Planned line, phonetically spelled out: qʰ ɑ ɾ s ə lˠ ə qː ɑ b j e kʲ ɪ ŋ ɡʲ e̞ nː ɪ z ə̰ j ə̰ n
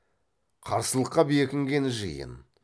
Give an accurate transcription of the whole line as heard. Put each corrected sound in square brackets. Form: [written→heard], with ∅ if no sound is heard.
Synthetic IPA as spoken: qʰ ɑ ɾ s ə lˠ ə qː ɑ b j e kʲ ɪ ŋ ɡʲ e̞ [nː→n] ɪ [z→ʒ] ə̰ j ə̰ n